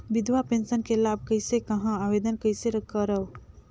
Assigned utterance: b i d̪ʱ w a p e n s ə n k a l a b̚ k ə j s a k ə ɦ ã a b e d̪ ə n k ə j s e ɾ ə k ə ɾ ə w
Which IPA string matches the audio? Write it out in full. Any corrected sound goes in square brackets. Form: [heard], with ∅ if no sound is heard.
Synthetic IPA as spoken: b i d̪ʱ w a p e n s ə n k [e] l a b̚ k ə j s [e] k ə ɦ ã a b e d̪ ə n k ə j s e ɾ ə k ə ɾ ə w

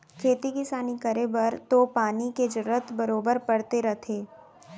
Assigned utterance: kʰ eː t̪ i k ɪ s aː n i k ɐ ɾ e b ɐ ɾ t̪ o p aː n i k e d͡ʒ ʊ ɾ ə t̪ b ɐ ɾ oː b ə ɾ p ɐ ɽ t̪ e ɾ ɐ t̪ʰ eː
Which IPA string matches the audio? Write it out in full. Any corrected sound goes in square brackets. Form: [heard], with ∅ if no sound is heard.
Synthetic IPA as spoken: kʰ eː t̪ i k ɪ s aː n i k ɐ ɾ e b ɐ ɾ t̪ o p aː n i k e d͡ʒ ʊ ɾ ə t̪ b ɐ ɾ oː b ə ɾ p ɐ ɽ t̪ e ɾ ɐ t̪ʰ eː

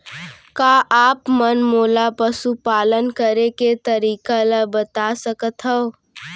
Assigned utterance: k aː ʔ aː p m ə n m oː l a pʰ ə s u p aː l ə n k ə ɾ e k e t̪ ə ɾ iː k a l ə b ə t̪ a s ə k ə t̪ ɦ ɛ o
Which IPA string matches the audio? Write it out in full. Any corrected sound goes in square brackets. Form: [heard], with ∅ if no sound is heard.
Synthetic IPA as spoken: k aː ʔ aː p m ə n m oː l a [p] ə s u p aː l ə n k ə ɾ e k e t̪ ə ɾ iː k a l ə b ə t̪ a s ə k ə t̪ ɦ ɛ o

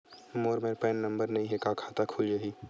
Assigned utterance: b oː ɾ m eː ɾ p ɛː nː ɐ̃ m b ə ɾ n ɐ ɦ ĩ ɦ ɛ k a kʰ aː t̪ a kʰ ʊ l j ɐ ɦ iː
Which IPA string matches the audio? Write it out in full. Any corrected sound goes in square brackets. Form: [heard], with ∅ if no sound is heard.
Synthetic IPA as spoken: [m] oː ɾ m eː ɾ p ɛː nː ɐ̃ m b ə ɾ n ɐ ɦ ĩ ɦ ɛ k a kʰ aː t̪ a kʰ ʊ l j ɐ ɦ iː

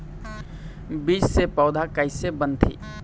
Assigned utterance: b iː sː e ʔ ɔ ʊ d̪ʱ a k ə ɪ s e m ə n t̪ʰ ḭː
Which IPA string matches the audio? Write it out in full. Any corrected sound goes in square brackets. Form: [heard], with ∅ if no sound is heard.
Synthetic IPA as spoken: b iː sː e [p] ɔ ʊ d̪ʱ a k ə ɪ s e [b] ə n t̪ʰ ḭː

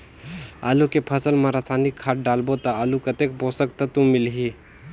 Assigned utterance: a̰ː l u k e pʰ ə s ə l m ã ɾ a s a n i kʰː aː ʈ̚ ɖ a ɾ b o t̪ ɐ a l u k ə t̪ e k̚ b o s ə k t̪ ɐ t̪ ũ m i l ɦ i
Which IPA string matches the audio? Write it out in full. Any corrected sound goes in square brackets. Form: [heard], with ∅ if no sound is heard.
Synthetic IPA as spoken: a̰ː l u k e pʰ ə s ə l m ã ɾ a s a n i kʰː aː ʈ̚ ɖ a [l] b o t̪ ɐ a l u k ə t̪ e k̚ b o s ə k t̪ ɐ t̪ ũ m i l ɦ i

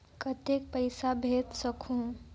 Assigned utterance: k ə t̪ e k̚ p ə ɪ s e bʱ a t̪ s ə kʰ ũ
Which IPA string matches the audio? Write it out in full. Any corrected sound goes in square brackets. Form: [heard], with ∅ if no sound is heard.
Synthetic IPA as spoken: k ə t̪ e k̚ p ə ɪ s [a] bʱ [e] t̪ s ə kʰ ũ

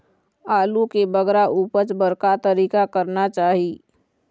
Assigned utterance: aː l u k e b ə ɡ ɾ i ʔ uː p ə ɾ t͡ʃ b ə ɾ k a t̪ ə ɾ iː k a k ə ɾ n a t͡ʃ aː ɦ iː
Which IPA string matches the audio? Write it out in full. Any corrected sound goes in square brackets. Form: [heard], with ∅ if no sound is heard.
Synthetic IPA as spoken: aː l u k e b ə ɡ ɾ [a] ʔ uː p ə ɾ t͡ʃ b ə ɾ k a t̪ ə ɾ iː k a k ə ɾ n a t͡ʃ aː ɦ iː

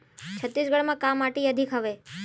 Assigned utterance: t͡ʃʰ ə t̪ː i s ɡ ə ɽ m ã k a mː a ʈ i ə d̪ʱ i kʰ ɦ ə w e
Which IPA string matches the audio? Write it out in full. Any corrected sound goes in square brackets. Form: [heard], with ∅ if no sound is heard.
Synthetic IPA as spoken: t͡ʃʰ ə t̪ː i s ɡ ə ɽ m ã k a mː a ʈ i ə d̪ʱ i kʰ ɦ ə [ʋ] e

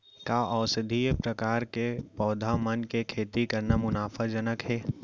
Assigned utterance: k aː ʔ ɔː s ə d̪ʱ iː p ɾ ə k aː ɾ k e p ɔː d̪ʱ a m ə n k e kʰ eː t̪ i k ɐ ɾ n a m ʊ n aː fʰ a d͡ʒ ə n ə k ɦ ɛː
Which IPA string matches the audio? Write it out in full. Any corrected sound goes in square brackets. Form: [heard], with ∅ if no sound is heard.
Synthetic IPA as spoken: k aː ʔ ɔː s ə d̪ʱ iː p ɾ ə k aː ɾ k e p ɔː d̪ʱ a m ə n k e kʰ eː t̪ i k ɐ ɾ n a m ʊ n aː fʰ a d͡ʒ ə n ə k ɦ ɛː

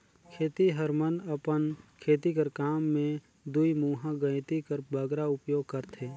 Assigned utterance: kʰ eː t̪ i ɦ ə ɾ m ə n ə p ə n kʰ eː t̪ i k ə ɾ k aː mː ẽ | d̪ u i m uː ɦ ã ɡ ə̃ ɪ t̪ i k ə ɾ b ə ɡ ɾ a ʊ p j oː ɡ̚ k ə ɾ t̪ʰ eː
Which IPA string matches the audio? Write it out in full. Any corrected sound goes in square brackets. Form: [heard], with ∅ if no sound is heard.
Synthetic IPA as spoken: kʰ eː t̪ i ɦ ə ɾ m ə n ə p ə n kʰ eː t̪ i k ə ɾ k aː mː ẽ | d̪ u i m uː ɦ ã ɡ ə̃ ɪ t̪ i k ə ɾ b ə ɡ ɾ a ʊ p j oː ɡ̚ k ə ɾ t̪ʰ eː

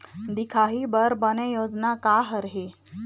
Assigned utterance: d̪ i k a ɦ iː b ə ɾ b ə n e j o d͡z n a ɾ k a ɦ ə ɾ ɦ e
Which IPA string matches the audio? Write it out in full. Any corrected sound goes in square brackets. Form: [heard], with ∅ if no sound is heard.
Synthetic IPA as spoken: d̪ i [kʰ] a ɦ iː b ə ɾ b ə n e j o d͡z n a [∅] k a ɦ ə ɾ ɦ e

